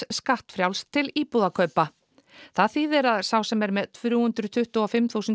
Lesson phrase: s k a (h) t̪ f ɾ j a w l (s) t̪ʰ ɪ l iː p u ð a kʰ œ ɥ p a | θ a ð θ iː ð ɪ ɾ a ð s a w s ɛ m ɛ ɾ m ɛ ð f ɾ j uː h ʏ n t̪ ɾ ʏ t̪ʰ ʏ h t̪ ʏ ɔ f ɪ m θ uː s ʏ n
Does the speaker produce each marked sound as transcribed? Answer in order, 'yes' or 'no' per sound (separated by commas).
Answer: yes, yes